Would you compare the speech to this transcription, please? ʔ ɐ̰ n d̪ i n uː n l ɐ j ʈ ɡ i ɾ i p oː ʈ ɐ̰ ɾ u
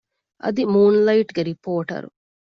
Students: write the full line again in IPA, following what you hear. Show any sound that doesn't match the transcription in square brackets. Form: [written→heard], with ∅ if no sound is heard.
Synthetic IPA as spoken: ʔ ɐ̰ [n→∅] d̪ i [n→m] uː n l ɐ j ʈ ɡ [i→e] ɾ i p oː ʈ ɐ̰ ɾ u

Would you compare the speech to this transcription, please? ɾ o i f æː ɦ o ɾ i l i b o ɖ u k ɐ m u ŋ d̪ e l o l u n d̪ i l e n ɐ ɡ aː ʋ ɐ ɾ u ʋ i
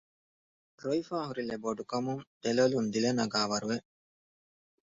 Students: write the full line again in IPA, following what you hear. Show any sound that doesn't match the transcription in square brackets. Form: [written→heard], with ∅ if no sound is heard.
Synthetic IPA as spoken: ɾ o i f [æː→aː] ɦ [o→u] ɾ i l [i→e] b o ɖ u k ɐ m u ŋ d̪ e l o l u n d̪ i l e n ɐ ɡ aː ʋ ɐ ɾ u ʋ [i→e]

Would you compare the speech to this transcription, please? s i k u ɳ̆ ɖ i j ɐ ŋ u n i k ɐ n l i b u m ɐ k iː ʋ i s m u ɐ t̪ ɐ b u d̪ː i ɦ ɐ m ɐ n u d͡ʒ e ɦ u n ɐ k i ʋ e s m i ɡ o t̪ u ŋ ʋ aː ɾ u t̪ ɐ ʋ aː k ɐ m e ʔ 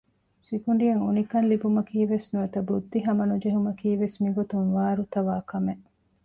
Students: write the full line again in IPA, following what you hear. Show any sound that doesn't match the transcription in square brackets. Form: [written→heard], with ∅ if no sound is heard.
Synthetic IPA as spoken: s i k u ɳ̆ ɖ i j ɐ ŋ u n i k ɐ n l i b u m ɐ k iː ʋ [i→e] s [m→n] u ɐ t̪ ɐ b u d̪ː i ɦ ɐ m ɐ n u d͡ʒ e ɦ u [n→m] ɐ k [i→iː] ʋ e s m i ɡ o t̪ u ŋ ʋ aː ɾ u t̪ ɐ ʋ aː k ɐ m e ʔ

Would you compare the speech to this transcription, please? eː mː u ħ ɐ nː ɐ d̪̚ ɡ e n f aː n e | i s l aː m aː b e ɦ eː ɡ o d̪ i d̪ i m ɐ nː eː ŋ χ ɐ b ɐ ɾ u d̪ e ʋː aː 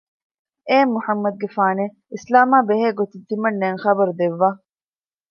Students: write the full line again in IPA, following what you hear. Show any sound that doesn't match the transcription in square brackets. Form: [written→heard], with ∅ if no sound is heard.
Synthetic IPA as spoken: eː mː u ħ ɐ [nː→mː] ɐ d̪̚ ɡ e [n→∅] f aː n e | i s l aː m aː b e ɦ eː ɡ o [d̪→t̪] i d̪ i m ɐ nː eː ŋ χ ɐ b ɐ ɾ u d̪ e ʋː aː

